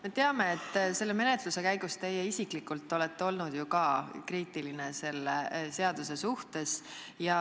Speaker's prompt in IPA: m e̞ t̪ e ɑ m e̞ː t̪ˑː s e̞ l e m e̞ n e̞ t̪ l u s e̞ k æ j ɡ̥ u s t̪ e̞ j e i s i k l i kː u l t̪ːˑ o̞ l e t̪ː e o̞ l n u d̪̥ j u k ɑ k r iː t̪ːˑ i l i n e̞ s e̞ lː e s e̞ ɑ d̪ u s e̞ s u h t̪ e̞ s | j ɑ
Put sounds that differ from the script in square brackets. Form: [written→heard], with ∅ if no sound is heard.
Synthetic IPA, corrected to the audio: m e̞ t̪ e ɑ m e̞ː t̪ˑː s e̞ [l→lː] e m e̞ n e̞ t̪ l u s e̞ k æ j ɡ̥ u s t̪ e̞ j e i s i k l i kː u l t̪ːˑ o̞ l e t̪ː e o̞ l n u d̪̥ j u k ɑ k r iː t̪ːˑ i l i n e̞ s e̞ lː e s e̞ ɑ d̪ u s e̞ s u h t̪ e̞ s | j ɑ